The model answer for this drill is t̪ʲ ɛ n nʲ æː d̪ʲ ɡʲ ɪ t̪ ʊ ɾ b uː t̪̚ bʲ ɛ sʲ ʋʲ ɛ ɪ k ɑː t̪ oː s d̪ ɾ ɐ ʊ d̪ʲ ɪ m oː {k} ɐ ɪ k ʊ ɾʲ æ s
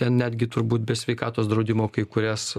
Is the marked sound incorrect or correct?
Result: correct